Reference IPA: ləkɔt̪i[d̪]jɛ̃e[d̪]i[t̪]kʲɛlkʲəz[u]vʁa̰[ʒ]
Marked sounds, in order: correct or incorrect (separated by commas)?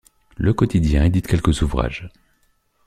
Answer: correct, correct, correct, correct, correct